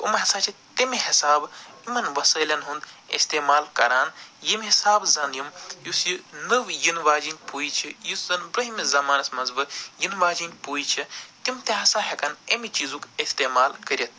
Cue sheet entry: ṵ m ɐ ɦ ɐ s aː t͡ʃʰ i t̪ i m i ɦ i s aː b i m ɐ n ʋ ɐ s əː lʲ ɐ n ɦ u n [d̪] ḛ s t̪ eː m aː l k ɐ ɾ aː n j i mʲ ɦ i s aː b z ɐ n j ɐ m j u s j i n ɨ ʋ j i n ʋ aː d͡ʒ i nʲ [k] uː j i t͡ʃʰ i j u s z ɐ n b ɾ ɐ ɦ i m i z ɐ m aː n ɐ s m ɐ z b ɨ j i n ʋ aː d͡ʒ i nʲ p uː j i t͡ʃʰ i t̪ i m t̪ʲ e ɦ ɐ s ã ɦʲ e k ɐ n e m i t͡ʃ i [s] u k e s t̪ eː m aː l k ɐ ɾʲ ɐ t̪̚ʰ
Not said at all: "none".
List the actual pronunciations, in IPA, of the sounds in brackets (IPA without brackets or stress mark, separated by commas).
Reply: d̪, p, z